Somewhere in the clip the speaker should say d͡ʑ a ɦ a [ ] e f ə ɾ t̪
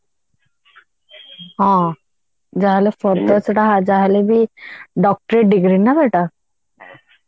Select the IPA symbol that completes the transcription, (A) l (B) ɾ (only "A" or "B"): A